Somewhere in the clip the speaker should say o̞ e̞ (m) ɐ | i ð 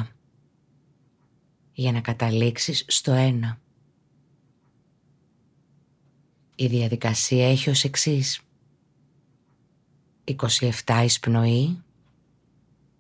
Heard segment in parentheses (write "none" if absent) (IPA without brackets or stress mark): n